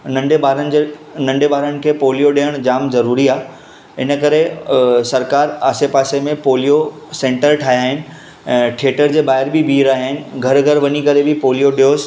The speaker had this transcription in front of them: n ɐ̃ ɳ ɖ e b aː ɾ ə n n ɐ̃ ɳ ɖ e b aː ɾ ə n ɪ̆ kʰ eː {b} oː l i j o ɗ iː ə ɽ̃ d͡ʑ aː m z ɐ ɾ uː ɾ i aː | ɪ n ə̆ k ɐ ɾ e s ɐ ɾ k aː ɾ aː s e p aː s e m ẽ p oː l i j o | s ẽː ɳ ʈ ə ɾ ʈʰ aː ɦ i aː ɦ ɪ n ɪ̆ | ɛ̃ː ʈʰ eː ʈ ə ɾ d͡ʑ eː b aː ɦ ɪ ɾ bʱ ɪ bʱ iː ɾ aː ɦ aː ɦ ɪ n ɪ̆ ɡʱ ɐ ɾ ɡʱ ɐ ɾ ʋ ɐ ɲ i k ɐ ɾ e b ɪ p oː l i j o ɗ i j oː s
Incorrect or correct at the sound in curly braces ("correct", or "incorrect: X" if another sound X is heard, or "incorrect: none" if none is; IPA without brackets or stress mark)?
incorrect: p